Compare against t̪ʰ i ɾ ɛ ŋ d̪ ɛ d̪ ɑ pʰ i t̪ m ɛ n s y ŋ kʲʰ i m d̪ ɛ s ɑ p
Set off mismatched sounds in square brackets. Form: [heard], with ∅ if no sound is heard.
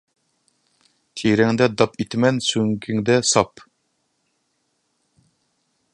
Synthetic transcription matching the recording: t̪ʰ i ɾ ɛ ŋ d̪ ɛ d̪ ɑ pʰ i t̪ m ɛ n s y ŋ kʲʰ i [ŋ] d̪ ɛ s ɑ p